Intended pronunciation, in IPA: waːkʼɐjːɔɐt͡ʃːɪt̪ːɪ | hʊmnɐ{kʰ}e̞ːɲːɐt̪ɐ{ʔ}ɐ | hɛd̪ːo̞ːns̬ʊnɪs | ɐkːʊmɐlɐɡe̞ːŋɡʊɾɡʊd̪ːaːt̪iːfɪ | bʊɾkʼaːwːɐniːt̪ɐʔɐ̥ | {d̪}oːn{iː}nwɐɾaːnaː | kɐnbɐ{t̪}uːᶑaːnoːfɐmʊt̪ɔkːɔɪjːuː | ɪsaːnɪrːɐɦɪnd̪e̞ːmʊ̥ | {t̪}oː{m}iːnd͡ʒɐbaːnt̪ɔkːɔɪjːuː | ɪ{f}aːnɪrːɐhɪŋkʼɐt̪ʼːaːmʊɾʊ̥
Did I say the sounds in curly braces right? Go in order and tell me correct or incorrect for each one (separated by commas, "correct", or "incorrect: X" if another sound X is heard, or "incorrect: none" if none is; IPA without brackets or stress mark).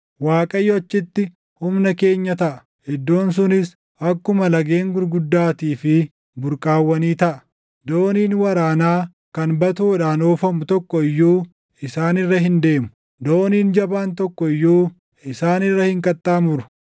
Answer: incorrect: k, correct, correct, correct, correct, incorrect: d̪, incorrect: n, incorrect: s